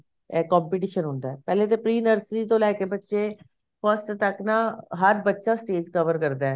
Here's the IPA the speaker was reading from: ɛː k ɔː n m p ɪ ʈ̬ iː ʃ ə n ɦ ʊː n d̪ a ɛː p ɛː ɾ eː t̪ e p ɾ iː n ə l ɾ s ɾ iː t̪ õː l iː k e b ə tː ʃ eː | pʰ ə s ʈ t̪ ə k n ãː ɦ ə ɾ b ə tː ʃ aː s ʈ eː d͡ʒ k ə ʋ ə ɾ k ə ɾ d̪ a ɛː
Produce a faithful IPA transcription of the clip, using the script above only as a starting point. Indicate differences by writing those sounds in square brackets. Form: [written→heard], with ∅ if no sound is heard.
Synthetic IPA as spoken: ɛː k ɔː [n→∅] m p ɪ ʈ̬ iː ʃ ə n ɦ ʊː n d̪ a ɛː p ɛː [ɾ→l] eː t̪ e p ɾ iː n ə [l→∅] ɾ s ɾ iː t̪ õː l [iː→ɛː] k e b ə tː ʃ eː | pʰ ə s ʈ t̪ ə k n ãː ɦ ə ɾ b ə tː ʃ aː s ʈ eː d͡ʒ k ə ʋ ə ɾ k ə ɾ d̪ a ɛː

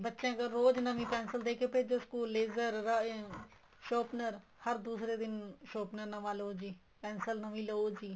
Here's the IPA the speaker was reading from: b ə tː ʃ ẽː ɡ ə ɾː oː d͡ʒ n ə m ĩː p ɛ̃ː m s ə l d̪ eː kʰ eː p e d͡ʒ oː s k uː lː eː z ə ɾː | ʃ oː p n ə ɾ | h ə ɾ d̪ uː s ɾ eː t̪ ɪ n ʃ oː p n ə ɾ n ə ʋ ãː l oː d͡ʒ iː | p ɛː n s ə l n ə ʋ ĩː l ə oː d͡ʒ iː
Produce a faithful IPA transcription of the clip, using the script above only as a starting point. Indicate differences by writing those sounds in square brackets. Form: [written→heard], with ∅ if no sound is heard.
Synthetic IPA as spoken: b ə tː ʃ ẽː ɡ ə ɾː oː d͡ʒ n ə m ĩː p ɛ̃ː [m→n] s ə l d̪ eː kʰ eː p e d͡ʒ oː s k uː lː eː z ə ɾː | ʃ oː p n ə ɾ | h ə ɾ d̪ uː s ɾ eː [t̪→d̪] ɪ n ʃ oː p n ə ɾ n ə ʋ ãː l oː d͡ʒ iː | p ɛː n s ə l n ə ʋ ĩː l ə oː d͡ʒ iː

